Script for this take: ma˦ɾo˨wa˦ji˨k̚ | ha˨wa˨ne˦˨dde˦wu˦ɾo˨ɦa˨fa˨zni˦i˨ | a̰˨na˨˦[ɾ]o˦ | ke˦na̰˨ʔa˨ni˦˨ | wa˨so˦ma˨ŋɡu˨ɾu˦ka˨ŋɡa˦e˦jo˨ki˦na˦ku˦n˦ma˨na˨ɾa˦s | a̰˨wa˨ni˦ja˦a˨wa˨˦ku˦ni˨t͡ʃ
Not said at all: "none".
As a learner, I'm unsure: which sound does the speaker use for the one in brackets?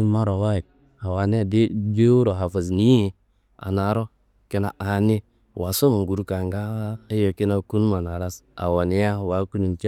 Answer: ɾ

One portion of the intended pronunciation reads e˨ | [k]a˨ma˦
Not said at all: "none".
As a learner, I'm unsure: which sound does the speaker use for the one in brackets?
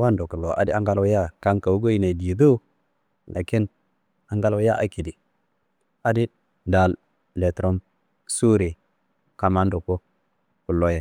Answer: k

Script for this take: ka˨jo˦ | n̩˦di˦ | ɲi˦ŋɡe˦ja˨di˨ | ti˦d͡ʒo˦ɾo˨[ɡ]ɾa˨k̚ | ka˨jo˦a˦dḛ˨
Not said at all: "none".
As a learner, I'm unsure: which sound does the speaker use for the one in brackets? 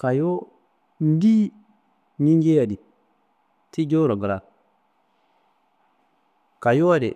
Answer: ɡ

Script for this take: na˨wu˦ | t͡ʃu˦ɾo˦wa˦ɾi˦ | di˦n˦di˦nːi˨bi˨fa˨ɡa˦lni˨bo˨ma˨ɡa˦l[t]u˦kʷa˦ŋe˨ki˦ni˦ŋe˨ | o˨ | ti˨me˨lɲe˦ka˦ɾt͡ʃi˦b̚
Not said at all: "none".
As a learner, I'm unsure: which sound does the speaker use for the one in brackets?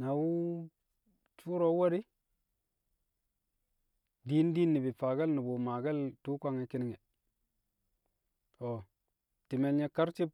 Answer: t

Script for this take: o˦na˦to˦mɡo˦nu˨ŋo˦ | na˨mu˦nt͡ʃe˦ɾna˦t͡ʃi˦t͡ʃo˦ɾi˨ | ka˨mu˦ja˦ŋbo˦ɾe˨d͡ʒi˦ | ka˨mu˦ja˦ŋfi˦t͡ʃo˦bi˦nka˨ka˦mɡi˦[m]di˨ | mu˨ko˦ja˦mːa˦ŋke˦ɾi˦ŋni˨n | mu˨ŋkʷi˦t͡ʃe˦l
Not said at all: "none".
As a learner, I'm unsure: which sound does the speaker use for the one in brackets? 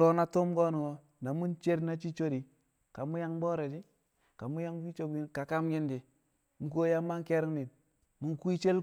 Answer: n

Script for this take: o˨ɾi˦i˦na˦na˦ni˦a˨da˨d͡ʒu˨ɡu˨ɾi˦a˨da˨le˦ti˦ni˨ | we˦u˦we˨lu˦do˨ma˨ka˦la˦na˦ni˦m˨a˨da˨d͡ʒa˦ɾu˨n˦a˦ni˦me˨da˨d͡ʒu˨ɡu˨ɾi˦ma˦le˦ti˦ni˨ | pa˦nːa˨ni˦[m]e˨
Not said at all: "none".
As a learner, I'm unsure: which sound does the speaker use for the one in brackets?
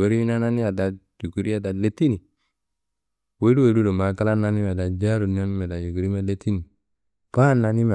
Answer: m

